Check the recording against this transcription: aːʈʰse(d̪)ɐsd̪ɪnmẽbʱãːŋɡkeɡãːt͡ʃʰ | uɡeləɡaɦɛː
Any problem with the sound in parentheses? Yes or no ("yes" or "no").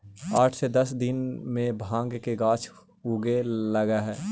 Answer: no